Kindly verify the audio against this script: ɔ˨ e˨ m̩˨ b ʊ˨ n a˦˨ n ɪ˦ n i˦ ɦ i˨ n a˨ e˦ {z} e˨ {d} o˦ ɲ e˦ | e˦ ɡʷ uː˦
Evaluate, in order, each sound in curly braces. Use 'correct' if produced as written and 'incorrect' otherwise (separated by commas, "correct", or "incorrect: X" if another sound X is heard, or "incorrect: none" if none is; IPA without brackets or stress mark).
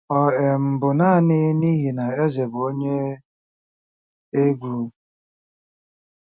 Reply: correct, incorrect: b